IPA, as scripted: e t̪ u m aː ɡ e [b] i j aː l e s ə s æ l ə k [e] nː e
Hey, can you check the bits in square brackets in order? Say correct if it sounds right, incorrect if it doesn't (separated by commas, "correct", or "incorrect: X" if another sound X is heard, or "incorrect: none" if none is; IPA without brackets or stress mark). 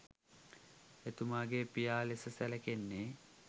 incorrect: p, correct